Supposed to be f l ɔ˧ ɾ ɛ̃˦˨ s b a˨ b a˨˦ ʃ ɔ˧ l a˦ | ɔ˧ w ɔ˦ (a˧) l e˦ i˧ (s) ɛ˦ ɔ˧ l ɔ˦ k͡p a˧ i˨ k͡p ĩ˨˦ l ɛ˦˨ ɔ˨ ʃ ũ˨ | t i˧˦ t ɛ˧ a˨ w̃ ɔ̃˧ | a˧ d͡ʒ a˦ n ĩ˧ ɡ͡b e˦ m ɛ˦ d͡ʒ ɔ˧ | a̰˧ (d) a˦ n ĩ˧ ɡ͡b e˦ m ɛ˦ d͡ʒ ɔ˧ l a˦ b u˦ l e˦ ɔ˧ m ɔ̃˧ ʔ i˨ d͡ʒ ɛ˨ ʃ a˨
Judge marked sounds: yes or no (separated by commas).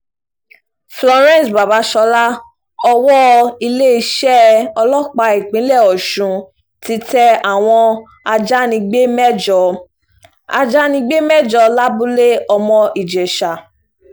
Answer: no, no, no